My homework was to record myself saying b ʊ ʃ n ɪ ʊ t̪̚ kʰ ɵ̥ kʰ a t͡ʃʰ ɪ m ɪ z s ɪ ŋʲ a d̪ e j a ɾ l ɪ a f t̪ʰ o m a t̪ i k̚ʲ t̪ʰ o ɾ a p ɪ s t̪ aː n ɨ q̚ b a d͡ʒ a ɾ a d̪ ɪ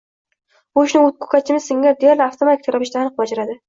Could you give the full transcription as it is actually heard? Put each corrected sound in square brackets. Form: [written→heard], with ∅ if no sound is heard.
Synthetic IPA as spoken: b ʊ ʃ n ɪ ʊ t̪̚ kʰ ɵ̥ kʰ a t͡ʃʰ ɪ m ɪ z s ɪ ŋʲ a d̪ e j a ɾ l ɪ a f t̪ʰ o m a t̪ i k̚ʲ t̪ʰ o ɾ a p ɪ [s→ʃ] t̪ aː n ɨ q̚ b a d͡ʒ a ɾ a d̪ ɪ